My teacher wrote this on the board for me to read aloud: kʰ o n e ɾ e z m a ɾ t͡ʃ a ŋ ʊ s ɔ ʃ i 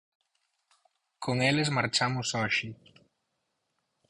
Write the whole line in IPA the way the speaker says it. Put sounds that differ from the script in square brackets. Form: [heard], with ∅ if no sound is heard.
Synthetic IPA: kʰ o [ŋ] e [l] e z m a ɾ t͡ʃ a [m] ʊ s ɔ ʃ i